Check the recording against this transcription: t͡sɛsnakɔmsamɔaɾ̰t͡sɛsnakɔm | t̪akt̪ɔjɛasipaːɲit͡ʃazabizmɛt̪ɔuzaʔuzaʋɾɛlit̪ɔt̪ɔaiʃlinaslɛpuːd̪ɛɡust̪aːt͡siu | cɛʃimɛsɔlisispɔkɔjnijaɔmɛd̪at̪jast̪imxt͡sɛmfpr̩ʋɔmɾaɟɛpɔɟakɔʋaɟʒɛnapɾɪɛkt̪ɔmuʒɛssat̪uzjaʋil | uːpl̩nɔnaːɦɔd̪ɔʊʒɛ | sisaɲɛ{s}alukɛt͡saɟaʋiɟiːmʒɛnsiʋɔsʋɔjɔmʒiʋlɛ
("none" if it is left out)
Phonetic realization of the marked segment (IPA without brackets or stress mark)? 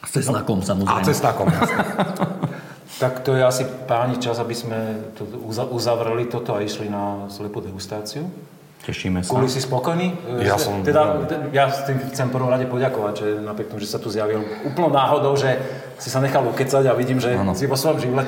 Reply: x